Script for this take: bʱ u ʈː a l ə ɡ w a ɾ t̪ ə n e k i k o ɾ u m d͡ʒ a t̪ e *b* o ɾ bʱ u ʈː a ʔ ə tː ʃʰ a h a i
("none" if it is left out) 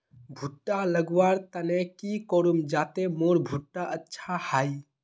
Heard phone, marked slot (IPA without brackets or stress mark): m